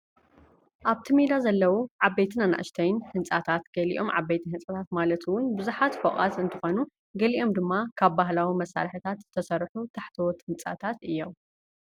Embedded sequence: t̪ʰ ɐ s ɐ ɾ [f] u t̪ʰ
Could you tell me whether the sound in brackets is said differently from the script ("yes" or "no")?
yes